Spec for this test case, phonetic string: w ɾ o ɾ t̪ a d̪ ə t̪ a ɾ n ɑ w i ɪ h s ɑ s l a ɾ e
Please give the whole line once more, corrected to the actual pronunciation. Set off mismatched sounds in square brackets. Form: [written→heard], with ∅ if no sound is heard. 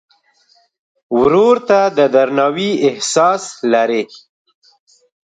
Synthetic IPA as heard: w ɾ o ɾ t̪ a d̪ ə [t̪→d̪] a ɾ n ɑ w i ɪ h s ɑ s l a ɾ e